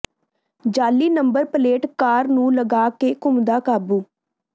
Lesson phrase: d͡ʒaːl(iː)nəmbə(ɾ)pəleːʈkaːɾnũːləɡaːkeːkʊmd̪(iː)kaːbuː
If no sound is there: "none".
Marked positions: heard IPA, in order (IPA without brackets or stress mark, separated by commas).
iː, ɾ, aː